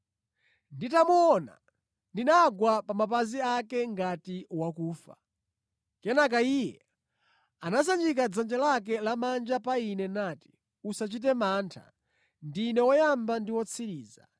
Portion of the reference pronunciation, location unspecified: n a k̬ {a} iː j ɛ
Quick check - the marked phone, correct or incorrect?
correct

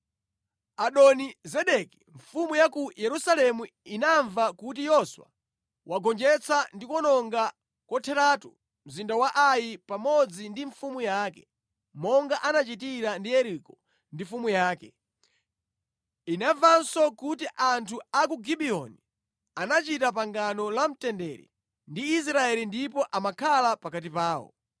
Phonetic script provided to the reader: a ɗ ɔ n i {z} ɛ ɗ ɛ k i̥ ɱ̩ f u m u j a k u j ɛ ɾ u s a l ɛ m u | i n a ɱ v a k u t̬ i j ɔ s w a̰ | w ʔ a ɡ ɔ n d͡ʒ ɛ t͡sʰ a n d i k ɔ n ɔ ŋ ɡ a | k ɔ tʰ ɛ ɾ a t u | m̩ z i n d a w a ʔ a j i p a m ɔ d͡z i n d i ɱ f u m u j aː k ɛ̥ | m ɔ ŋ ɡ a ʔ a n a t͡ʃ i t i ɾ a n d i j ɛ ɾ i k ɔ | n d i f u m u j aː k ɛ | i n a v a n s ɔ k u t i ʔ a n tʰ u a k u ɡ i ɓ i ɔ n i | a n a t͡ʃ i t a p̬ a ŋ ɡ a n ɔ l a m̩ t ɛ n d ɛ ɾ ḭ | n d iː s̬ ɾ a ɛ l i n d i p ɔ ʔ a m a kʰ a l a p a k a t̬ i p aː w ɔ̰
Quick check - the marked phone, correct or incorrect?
correct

